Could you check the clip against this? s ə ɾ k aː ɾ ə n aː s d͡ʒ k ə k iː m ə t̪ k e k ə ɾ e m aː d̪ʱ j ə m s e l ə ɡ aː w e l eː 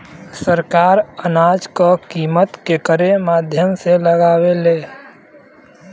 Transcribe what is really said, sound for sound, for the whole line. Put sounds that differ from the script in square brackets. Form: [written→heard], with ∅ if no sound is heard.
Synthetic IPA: s ə ɾ k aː ɾ ə n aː [s→∅] d͡ʒ k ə k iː m ə t̪ k e k ə ɾ e m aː d̪ʱ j ə m s e l ə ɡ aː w e l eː